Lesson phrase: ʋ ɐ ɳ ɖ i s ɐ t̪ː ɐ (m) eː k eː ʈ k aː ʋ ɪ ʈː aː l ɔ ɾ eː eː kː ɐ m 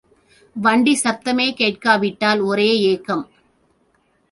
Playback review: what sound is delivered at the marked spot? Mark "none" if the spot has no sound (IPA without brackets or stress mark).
m